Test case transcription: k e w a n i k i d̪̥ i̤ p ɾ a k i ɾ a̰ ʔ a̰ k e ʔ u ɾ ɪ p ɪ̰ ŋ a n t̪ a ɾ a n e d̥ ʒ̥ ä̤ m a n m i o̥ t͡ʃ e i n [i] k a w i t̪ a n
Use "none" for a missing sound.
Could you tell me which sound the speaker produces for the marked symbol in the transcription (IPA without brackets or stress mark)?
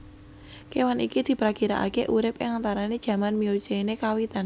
e